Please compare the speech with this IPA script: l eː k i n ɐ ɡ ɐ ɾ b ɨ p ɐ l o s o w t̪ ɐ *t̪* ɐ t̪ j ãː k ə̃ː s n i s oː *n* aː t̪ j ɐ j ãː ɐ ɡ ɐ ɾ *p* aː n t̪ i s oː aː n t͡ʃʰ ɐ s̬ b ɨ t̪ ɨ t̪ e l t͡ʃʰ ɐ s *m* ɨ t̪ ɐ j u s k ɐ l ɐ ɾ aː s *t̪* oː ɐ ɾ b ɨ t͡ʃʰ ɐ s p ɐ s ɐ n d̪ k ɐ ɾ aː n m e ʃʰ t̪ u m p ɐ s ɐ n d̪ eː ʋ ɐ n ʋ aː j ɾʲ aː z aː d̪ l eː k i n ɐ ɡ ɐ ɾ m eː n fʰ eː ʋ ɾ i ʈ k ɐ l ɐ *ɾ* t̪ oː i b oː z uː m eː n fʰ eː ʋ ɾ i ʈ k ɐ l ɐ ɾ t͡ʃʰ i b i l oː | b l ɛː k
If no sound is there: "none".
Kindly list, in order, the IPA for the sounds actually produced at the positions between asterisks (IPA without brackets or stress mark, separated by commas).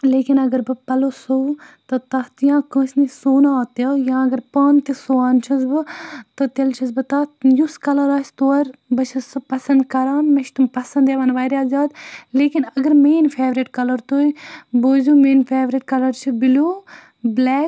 t̪, n, p, b, t̪, ɾ